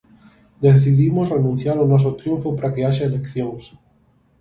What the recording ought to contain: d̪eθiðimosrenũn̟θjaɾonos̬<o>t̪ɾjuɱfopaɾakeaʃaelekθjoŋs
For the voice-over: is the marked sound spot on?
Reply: yes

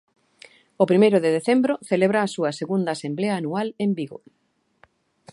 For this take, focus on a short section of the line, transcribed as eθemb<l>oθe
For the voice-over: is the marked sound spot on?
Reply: no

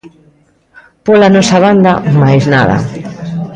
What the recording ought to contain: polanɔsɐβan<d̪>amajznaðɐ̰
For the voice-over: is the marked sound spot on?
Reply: yes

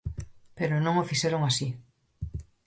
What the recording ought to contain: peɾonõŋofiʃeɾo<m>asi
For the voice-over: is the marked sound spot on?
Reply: no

